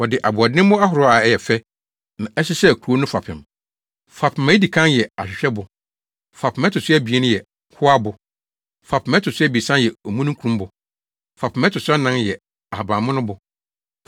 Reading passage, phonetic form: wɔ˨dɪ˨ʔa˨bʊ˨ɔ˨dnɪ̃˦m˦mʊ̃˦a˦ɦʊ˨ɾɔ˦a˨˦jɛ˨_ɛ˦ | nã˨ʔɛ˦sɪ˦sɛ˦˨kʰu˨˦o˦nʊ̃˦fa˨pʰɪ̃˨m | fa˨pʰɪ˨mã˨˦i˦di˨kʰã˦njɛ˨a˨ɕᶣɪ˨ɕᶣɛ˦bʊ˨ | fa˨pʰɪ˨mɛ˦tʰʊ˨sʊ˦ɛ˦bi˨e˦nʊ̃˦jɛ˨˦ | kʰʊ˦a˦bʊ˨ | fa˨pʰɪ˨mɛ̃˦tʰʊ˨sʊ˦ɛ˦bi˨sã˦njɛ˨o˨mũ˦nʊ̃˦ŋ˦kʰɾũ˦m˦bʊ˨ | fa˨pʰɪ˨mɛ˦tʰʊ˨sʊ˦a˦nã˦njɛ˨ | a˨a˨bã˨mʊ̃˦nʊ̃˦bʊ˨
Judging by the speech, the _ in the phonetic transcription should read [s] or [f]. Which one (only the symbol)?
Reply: f